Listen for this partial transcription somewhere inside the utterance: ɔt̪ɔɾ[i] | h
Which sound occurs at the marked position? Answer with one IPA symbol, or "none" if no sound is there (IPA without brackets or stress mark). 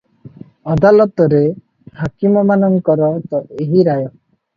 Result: e